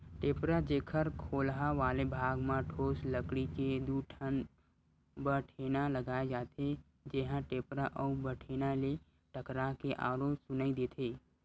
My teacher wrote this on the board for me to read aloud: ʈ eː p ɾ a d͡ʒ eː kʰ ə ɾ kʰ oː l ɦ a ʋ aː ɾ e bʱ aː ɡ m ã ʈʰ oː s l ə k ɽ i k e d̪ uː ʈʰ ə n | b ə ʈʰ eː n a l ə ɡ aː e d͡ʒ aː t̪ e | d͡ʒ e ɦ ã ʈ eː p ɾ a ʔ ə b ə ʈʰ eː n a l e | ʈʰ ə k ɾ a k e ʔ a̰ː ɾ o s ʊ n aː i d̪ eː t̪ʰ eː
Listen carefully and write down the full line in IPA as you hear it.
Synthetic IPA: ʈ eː p ɾ a d͡ʒ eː kʰ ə ɾ kʰ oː l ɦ a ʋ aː l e bʱ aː ɡ m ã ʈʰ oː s l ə k ɽ i k e d̪ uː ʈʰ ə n | b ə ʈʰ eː n a l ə ɡ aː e d͡ʒ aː t̪ e | d͡ʒ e ɦ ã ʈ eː p ɾ a ʔ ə b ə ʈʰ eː n a l e | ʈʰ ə k ɾ a k e ʔ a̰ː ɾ o s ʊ n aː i d̪ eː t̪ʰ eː